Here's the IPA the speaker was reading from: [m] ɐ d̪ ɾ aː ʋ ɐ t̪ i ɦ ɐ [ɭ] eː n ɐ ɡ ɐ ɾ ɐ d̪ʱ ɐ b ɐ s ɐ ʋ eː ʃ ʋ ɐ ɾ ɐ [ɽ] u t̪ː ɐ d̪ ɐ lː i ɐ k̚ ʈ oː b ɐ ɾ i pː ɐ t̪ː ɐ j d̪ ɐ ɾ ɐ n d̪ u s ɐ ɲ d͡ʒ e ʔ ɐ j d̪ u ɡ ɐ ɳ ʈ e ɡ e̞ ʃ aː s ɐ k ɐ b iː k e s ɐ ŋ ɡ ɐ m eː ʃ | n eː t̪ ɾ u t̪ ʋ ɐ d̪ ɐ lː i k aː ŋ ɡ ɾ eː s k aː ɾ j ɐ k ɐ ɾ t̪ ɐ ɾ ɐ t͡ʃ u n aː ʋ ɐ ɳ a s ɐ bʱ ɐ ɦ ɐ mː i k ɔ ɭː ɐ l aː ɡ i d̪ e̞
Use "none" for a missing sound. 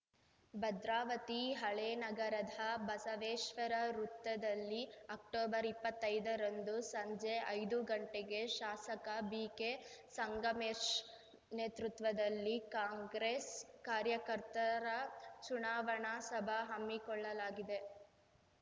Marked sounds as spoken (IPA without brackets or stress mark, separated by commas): b, ɭ, ɾ